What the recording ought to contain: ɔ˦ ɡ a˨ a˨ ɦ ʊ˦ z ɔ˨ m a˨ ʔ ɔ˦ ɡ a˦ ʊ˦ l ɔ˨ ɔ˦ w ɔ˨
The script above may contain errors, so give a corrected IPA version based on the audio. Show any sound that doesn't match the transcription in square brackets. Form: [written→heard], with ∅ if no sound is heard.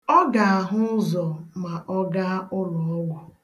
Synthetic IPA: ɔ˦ ɡ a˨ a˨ ɦ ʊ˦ z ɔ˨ m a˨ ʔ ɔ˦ ɡ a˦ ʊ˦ l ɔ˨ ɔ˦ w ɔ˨